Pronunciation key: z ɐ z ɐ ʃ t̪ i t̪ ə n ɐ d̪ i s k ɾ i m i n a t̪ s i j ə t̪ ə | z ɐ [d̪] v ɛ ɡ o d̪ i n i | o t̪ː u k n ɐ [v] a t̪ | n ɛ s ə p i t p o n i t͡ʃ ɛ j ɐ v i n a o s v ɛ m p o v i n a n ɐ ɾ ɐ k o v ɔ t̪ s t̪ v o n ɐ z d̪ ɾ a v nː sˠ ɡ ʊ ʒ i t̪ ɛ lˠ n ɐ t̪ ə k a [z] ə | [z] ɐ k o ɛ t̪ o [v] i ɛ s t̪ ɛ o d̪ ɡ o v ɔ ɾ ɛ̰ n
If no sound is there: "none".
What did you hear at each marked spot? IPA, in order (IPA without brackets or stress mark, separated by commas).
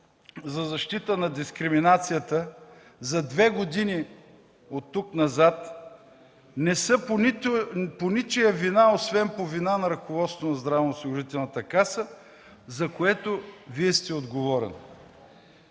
d̪, z, s, z, v